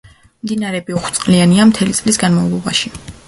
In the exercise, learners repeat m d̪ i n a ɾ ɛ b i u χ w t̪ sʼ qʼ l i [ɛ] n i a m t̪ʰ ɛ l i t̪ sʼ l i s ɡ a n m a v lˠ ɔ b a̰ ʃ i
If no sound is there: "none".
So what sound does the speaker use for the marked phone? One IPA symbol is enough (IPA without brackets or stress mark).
a